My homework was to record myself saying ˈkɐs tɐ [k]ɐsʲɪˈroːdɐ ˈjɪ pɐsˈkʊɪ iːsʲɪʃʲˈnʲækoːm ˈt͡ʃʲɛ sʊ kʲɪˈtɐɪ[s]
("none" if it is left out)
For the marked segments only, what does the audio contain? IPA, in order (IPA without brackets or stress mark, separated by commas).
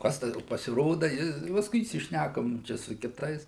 p, s